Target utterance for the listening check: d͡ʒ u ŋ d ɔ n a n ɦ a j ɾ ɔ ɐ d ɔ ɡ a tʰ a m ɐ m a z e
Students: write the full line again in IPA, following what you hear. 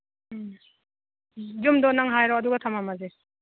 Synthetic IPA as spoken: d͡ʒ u m d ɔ n a ŋ ɦ a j ɾ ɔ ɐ d u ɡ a tʰ a m a m a z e